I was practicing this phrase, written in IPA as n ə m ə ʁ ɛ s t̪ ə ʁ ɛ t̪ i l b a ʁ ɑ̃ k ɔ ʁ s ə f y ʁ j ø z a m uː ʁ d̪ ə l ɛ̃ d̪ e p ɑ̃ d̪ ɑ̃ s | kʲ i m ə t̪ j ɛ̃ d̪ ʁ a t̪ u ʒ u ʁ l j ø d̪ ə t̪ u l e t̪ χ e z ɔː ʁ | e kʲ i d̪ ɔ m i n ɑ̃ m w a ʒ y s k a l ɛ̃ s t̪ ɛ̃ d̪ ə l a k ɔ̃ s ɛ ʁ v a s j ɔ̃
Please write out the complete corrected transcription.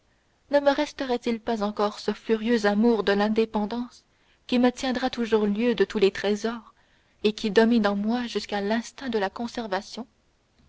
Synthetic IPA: n ə m ə ʁ ɛ s t̪ ə ʁ ɛ t̪ i l p a z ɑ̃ k ɔ ʁ s ə f y ʁ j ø z a m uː ʁ d̪ ə l ɛ̃ d̪ e p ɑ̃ d̪ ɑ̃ s | kʲ i m ə t̪ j ɛ̃ d̪ ʁ a t̪ u ʒ u ʁ l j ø d̪ ə t̪ u l e t̪ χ e z ɔː ʁ | e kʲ i d̪ ɔ m i n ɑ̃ m w a ʒ y s k a l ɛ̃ s t̪ ɛ̃ d̪ ə l a k ɔ̃ s ɛ ʁ v a s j ɔ̃